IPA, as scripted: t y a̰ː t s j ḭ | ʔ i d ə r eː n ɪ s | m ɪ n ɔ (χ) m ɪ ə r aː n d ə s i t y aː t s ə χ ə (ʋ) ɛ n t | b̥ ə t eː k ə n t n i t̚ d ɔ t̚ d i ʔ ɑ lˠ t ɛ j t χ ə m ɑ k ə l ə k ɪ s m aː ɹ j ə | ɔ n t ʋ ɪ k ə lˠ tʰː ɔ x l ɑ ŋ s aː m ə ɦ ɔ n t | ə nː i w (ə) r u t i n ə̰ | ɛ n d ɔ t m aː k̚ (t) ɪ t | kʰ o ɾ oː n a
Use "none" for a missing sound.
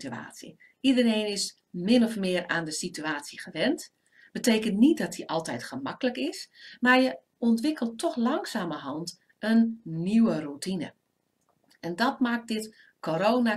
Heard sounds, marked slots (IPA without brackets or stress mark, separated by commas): f, ʋ, ə, d